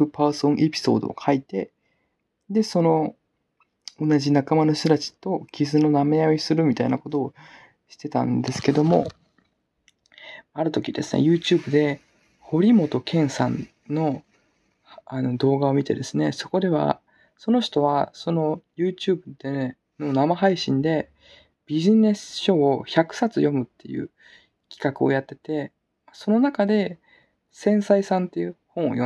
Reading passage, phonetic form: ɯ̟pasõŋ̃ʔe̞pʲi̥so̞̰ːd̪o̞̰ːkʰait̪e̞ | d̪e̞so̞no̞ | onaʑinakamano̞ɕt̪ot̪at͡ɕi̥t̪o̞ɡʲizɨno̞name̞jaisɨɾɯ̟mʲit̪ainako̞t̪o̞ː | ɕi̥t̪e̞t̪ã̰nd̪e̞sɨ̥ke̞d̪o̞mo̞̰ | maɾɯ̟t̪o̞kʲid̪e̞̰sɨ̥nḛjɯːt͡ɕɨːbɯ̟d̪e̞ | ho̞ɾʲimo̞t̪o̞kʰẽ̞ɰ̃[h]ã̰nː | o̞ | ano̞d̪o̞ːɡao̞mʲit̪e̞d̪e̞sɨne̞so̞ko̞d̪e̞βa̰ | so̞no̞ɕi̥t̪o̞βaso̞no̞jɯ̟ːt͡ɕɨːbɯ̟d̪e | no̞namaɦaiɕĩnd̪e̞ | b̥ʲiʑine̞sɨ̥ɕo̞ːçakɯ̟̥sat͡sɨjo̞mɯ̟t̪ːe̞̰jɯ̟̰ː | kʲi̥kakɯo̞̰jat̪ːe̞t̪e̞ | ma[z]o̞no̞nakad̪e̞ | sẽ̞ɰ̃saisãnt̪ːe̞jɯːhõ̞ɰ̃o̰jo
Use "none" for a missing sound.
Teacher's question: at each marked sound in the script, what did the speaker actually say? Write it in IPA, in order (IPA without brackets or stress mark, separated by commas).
s, s